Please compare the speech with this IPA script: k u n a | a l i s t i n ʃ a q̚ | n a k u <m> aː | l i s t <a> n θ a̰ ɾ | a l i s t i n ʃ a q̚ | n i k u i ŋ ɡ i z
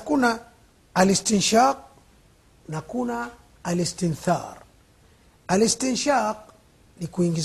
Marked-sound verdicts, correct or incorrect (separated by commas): incorrect, incorrect